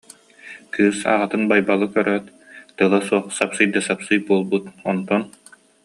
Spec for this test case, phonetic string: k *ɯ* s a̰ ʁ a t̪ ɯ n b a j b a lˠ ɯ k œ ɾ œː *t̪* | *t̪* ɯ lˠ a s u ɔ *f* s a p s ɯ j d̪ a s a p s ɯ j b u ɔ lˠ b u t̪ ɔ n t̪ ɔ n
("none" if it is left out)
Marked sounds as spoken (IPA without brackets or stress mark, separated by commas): ɯː, t̪, t̪, χ